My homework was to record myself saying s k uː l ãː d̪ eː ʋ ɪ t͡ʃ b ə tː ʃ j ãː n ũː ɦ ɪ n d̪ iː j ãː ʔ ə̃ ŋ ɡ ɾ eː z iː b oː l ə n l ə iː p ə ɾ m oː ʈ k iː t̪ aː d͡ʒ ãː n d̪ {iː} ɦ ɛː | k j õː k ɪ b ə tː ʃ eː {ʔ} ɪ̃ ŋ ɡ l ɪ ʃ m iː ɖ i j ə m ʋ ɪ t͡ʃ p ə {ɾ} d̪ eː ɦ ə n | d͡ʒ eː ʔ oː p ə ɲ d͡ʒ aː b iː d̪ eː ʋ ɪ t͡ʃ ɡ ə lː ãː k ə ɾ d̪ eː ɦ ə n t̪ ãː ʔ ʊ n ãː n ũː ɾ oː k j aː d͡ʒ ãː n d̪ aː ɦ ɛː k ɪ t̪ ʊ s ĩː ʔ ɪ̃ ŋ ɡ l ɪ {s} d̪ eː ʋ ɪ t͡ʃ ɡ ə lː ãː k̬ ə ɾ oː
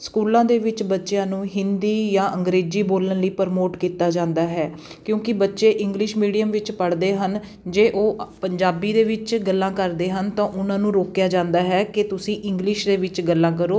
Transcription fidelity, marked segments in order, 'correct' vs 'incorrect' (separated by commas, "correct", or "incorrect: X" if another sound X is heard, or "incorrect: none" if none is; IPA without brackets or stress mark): incorrect: aː, correct, incorrect: ɽ, incorrect: ʃ